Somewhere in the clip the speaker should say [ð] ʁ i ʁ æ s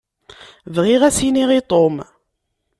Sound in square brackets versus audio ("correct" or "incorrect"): incorrect